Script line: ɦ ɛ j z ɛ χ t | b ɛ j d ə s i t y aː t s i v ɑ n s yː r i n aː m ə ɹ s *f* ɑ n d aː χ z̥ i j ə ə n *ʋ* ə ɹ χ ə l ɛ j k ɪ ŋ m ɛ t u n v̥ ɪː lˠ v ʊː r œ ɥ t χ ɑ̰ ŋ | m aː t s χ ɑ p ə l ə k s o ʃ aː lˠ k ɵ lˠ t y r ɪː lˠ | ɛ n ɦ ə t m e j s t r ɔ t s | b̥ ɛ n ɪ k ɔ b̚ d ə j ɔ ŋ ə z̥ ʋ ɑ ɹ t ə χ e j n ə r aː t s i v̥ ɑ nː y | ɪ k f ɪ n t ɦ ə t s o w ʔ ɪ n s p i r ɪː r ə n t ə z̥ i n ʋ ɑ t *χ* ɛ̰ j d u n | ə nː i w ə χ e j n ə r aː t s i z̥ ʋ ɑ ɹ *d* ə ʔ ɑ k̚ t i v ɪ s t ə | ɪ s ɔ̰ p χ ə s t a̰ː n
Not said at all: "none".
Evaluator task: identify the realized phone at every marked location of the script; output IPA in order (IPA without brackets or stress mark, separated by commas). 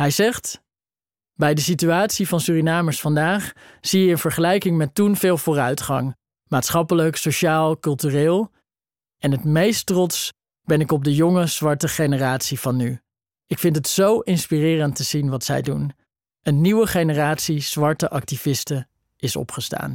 f, v, s, t